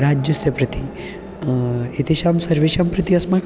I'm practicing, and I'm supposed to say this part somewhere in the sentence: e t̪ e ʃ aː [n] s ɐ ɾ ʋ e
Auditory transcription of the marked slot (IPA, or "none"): m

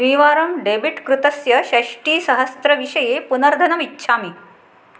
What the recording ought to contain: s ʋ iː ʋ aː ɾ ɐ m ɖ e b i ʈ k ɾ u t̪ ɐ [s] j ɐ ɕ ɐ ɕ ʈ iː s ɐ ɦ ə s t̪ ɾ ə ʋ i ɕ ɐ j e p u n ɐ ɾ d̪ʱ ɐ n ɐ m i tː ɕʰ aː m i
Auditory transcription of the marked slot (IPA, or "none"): s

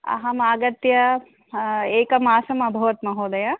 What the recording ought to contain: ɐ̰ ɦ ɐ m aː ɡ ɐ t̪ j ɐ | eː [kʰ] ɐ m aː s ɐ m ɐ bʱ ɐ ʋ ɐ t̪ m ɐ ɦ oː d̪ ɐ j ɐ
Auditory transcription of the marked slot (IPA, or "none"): k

